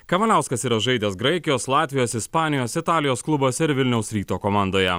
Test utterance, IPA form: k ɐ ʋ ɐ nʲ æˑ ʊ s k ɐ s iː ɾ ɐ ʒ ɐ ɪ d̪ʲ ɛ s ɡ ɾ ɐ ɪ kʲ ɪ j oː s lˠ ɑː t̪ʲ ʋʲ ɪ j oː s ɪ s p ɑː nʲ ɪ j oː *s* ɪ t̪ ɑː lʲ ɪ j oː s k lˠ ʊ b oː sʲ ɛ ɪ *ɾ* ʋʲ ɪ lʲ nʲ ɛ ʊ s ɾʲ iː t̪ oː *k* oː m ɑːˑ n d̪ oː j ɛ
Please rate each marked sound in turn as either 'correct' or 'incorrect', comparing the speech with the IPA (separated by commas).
correct, correct, correct